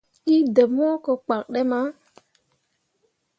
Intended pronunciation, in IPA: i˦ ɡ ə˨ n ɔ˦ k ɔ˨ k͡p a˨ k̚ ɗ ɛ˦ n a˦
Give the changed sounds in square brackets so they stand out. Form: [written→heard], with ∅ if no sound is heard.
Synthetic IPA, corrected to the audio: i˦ [ɡ→d] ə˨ [n→m] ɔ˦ k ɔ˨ k͡p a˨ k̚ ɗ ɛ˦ [n→m] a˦